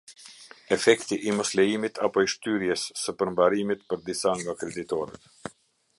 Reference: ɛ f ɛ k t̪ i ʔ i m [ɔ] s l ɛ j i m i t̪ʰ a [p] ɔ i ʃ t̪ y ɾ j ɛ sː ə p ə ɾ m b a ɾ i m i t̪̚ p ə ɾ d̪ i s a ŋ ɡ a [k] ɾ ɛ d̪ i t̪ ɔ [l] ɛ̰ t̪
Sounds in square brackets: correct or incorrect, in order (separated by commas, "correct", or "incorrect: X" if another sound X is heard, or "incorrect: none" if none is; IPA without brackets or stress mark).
correct, correct, correct, incorrect: ɾ